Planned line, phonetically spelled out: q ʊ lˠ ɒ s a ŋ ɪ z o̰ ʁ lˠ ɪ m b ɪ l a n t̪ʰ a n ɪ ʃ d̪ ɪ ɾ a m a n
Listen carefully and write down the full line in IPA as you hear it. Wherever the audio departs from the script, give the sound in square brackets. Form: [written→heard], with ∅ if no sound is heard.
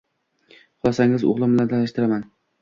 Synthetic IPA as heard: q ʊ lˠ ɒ s a ŋ ɪ z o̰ ʁ lˠ ɪ m b ɪ l a n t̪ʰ a n ɪ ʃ [d̪→t̪] ɪ ɾ a m a n